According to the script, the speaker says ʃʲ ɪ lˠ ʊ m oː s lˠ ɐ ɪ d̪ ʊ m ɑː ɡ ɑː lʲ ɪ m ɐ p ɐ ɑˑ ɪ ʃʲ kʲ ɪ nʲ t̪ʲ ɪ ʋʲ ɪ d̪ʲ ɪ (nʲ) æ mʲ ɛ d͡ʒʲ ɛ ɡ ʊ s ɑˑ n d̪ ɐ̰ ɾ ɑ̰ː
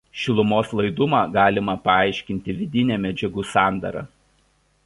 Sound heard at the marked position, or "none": nʲ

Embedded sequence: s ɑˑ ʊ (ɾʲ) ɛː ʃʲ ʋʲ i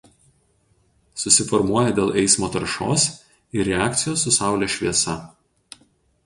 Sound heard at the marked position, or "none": lʲ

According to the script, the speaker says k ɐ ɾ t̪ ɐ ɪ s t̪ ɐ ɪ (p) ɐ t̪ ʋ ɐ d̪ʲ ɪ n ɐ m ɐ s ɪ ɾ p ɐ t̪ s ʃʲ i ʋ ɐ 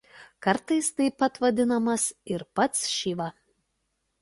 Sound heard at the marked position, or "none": p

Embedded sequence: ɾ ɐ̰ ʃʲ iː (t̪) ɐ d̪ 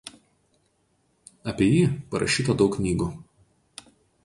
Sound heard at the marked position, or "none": t̪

